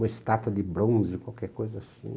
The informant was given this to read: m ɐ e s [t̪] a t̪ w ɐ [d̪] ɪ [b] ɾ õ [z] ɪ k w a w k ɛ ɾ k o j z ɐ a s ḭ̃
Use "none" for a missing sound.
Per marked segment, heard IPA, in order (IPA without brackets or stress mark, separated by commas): t̪, d̪, b, z